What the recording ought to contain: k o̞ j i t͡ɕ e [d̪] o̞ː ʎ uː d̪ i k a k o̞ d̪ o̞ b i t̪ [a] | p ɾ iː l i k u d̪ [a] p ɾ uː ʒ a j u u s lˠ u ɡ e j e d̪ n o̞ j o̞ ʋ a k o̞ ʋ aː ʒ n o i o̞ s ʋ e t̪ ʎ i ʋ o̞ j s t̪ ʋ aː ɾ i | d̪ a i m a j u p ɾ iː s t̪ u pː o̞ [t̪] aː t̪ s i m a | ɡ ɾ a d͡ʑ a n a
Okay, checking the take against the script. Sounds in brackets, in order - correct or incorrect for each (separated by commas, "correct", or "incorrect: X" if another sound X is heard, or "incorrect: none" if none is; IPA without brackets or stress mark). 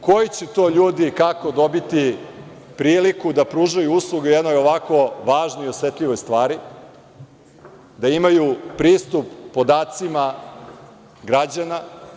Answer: incorrect: t̪, incorrect: i, correct, incorrect: d̪